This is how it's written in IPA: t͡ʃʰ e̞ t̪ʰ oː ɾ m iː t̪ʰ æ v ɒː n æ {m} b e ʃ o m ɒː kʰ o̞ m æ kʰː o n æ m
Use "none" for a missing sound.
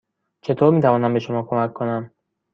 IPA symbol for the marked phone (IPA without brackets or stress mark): m